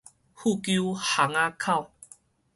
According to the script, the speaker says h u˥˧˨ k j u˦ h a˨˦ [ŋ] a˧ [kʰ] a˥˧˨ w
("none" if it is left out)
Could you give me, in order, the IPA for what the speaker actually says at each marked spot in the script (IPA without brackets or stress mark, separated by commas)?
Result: ŋ, kʰ